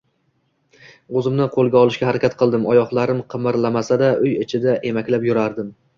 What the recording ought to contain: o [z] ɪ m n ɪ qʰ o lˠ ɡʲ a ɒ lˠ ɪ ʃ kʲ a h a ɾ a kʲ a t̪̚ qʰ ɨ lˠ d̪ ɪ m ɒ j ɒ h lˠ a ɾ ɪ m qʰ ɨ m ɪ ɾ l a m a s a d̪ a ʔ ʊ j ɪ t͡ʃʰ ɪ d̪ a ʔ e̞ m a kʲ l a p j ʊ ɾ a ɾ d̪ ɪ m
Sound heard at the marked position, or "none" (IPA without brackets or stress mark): z